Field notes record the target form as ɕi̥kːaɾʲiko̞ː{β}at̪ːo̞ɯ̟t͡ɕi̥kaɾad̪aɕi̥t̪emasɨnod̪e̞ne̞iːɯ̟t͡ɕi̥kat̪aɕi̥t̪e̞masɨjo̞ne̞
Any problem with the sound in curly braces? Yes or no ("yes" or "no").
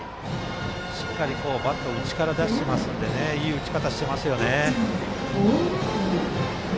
yes